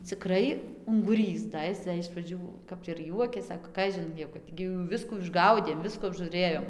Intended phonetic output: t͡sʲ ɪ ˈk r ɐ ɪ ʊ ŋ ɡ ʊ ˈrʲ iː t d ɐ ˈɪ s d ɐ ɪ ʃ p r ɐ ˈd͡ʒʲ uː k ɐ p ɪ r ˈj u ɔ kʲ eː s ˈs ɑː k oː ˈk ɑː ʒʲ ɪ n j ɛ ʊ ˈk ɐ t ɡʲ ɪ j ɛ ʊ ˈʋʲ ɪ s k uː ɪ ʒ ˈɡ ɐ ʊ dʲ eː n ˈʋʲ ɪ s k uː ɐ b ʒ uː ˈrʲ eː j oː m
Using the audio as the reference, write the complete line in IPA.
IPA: t͡sʲ ɪ ˈk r ɐ ɪ ʊ ŋ ɡ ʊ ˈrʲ iː s d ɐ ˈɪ s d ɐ ɪ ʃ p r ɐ ˈd͡ʒʲ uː k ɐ p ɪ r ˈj u ɔ kʲ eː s ˈs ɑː k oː ˈk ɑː ʒʲ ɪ n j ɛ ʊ ˈk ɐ t ɡʲ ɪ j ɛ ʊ ˈʋʲ ɪ s k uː ɪ ʒ ˈɡ ɐ ʊ dʲ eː m ˈʋʲ ɪ s k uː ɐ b ʒ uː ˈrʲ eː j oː m

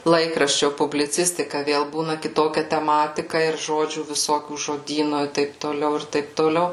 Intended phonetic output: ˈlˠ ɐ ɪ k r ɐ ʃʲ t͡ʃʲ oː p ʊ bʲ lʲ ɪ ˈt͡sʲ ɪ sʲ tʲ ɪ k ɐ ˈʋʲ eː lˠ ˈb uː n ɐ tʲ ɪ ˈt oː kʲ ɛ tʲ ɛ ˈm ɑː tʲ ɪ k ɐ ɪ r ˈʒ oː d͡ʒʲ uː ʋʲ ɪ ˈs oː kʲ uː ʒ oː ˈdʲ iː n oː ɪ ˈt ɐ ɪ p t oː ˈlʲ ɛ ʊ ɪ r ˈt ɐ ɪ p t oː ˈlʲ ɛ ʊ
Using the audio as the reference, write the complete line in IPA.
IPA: ˈlˠ ɐ ɪ k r ɐ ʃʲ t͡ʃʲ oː p ʊ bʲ lʲ ɪ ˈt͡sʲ ɪ sʲ tʲ ɪ k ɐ ˈʋʲ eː lˠ ˈb uː n ɐ kʲ ɪ ˈt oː kʲ ɛ tʲ ɛ ˈm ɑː tʲ ɪ k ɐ ɪ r ˈʒ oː d͡ʒʲ uː ʋʲ ɪ ˈs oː kʲ uː ʒ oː ˈdʲ iː n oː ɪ ˈt ɐ ɪ p t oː ˈlʲ ɛ ʊ ɪ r ˈt ɐ ɪ p t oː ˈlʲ ɛ ʊ

